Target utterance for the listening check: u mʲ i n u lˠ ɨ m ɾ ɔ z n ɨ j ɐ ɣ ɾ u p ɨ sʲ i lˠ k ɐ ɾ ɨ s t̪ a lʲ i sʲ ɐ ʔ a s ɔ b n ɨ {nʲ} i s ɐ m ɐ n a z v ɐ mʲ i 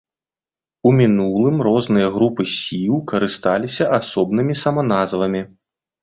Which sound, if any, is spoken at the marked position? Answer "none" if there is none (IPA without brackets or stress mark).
mʲ